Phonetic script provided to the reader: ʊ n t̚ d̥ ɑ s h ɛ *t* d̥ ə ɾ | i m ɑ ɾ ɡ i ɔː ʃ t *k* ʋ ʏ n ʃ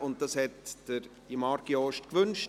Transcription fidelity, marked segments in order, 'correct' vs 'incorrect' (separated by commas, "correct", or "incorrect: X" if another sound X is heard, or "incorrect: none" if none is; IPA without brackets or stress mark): correct, correct